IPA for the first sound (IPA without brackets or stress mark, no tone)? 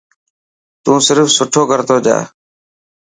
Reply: t̪